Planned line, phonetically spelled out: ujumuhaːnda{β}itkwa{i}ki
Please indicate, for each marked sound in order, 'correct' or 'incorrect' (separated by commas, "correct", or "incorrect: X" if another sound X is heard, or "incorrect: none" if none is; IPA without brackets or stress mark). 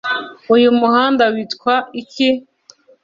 incorrect: w, correct